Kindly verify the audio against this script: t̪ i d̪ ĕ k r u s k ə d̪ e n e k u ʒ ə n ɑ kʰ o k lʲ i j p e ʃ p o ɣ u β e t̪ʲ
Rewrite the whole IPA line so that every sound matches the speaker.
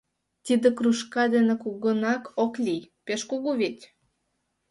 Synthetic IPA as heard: t̪ i d̪ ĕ k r u ʃ k ɑ d̪ e n e k u ɣ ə n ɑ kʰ o k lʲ i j p e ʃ k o ɣ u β e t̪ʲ

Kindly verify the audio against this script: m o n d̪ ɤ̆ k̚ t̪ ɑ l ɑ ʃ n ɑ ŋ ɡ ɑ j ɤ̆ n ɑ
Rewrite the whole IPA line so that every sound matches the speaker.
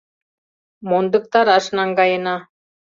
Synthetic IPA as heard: m o n d̪ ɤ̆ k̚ t̪ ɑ ɾ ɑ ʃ n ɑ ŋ ɡ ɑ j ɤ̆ n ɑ

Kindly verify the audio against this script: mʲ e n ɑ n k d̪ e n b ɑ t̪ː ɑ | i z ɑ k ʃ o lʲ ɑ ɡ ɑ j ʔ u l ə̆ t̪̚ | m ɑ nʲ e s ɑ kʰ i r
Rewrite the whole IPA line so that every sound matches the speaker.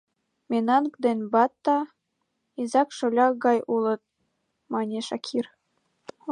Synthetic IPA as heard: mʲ e n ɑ n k d̪ e n b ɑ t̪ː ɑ | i z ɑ k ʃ o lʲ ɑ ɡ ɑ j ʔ u l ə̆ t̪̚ | m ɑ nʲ e ʃ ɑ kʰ i r

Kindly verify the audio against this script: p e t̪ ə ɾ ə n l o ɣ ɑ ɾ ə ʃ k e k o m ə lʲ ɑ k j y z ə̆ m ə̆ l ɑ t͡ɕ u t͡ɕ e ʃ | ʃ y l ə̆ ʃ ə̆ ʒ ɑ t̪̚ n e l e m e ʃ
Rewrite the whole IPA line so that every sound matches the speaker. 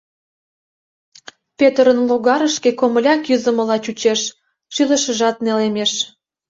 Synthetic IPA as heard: p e t̪ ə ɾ ə n l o ɣ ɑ ɾ ə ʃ k e k o m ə lʲ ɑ k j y z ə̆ m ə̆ l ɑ t͡ɕ u t͡ɕ e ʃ | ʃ y l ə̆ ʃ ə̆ ʒ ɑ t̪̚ n e l e m e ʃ

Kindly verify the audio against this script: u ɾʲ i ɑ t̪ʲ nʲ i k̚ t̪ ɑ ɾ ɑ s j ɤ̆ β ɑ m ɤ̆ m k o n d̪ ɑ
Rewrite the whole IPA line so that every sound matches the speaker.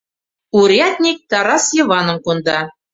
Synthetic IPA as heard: u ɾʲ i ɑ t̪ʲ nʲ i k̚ t̪ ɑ ɾ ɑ s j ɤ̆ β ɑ n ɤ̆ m k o n d̪ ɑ

